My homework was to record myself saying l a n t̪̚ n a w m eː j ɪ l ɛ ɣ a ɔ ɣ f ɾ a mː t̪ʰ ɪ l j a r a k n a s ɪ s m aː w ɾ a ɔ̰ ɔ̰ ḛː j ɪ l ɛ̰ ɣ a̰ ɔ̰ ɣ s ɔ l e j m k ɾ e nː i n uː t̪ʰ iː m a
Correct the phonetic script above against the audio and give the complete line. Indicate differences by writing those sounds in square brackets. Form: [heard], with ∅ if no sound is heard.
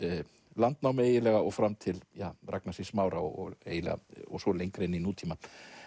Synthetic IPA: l a n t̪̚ n a w m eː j ɪ l ɛ ɣ a ɔ ɣ f ɾ a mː t̪ʰ ɪ l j a r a k n a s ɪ s m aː w ɾ a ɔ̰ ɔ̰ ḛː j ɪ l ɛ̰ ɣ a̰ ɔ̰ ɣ s ɔ l e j [ŋ] k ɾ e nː i n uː t̪ʰ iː m a